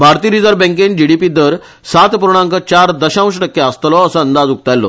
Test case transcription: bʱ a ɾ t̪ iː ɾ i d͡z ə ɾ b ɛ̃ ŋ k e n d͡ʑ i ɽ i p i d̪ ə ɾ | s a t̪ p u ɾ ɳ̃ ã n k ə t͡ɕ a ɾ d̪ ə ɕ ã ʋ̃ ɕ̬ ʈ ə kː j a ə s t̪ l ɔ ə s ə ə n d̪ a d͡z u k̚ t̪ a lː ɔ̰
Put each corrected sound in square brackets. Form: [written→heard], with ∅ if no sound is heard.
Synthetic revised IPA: bʱ a ɾ t̪ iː ɾ i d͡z ə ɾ b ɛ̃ ŋ k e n d͡ʑ i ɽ i p i d̪ ə ɾ | s a t̪ p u ɾ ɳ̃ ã [n→ŋ] k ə t͡ɕ a ɾ d̪ ə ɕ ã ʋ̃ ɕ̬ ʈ ə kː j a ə s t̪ l ɔ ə s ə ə n d̪ a d͡z u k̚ t̪ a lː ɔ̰